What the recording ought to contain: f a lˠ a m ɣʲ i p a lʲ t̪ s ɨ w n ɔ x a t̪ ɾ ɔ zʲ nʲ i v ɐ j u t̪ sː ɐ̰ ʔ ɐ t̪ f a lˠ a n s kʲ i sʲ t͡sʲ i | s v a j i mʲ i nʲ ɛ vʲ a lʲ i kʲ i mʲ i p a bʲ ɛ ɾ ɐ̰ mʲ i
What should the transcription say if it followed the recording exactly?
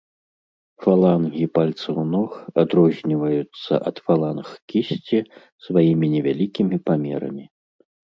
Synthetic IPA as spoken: f a lˠ a n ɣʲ i p a lʲ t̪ s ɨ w n ɔ x a d̪ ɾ ɔ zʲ nʲ i v ɐ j u t̪ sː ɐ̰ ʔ ɐ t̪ f a lˠ a n x kʲ i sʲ t͡sʲ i | s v a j i mʲ i nʲ ɛ vʲ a lʲ i kʲ i mʲ i p a mʲ ɛ ɾ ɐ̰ mʲ i